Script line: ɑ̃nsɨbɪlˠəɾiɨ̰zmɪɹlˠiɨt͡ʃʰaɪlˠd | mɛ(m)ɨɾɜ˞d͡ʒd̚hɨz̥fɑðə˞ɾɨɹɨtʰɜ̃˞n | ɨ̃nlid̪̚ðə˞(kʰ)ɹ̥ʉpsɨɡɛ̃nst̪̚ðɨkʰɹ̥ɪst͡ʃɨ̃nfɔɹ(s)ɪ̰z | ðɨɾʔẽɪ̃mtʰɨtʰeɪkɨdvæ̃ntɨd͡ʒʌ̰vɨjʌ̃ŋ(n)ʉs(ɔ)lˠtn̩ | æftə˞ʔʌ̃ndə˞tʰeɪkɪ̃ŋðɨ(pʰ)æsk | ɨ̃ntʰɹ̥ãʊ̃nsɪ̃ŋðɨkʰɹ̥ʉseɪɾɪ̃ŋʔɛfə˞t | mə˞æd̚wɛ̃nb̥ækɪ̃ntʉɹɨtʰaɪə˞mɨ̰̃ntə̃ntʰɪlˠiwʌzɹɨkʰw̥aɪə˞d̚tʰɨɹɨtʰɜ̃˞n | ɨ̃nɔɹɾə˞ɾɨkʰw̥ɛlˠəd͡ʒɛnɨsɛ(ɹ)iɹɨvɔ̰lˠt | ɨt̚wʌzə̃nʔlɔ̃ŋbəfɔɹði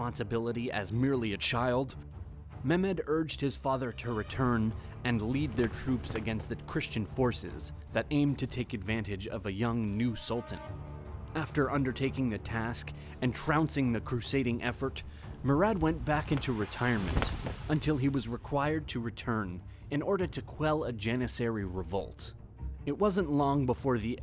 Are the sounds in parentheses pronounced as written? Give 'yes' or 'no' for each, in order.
yes, no, yes, yes, no, no, yes

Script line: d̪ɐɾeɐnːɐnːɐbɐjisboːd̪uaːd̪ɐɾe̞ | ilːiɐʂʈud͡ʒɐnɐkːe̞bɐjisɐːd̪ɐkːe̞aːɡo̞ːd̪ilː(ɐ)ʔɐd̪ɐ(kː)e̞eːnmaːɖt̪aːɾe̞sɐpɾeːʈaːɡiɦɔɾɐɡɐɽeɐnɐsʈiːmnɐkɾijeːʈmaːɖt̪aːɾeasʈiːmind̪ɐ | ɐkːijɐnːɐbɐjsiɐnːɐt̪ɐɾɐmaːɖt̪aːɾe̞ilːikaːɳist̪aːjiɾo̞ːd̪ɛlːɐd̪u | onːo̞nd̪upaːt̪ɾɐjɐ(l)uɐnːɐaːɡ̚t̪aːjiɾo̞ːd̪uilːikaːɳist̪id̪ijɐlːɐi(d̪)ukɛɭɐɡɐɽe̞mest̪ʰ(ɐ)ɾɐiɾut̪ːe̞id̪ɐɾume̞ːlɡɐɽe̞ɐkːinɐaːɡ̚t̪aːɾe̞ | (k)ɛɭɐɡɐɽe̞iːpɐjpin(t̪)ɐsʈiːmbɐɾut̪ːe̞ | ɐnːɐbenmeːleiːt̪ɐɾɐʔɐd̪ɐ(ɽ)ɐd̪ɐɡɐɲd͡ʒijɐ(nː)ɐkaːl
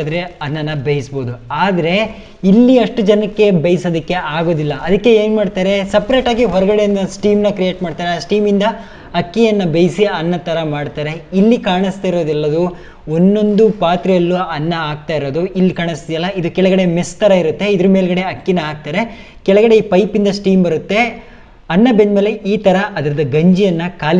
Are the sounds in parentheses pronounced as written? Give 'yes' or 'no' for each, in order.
yes, yes, no, yes, yes, yes, no, no, yes

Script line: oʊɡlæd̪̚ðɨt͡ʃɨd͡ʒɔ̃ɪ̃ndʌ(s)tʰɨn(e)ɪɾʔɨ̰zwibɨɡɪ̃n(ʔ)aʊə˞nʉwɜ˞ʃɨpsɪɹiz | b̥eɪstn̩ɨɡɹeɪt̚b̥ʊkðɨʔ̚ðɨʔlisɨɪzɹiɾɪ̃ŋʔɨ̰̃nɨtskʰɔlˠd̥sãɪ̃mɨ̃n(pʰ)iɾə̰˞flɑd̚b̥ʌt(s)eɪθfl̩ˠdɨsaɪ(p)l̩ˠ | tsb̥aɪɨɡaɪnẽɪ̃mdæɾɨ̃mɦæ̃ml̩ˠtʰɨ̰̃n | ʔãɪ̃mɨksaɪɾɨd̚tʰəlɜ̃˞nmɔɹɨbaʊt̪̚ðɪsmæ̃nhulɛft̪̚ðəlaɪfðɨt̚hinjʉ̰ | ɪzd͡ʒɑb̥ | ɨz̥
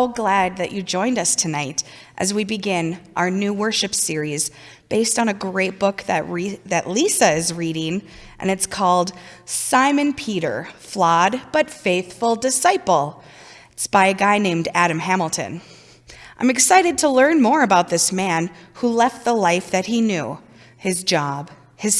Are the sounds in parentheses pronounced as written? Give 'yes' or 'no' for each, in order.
yes, no, yes, yes, no, yes

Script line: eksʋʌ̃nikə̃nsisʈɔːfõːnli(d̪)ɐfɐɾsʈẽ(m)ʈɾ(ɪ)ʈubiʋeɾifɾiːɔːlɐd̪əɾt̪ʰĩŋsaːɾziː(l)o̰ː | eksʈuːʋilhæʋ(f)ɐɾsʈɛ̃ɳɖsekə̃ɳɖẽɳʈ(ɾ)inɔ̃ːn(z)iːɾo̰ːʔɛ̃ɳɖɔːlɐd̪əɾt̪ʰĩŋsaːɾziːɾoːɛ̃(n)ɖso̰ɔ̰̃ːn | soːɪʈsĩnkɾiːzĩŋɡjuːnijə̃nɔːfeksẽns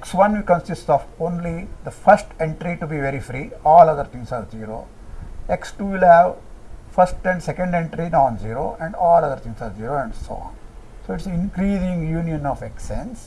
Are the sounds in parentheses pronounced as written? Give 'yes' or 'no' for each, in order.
yes, no, no, no, yes, yes, yes, no

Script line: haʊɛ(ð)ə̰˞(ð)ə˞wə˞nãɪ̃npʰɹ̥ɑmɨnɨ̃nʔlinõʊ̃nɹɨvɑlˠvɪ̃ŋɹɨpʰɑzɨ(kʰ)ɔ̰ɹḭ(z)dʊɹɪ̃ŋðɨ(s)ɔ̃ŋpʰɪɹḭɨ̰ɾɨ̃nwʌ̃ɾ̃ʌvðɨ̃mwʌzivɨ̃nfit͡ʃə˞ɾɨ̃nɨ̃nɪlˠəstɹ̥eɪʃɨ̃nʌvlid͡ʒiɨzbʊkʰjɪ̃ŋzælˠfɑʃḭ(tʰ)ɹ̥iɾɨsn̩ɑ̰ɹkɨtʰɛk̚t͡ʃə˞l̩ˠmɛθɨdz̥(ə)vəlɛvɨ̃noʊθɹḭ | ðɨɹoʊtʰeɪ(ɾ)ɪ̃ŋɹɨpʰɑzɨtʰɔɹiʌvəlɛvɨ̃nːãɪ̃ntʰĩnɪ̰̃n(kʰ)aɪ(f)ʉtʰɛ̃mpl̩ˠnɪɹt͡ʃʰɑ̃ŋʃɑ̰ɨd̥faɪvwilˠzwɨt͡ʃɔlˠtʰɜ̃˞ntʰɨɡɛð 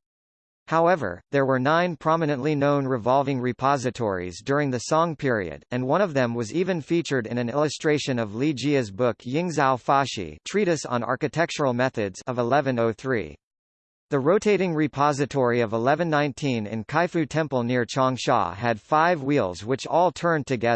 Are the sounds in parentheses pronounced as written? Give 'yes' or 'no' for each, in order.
no, yes, no, yes, yes, yes, no, yes, yes, yes

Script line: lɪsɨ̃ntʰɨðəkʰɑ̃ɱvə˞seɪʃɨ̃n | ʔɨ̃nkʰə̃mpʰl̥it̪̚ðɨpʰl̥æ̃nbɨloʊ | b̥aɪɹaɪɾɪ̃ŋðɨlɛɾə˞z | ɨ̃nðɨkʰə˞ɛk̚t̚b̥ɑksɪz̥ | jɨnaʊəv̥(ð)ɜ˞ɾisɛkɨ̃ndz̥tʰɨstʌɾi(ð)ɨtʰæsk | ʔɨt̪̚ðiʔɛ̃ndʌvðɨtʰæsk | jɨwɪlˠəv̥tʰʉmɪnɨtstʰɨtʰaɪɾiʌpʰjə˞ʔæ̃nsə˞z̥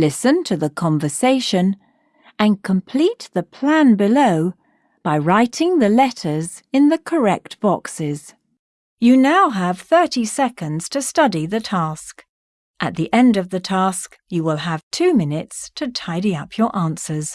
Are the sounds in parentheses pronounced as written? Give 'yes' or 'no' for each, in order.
no, yes

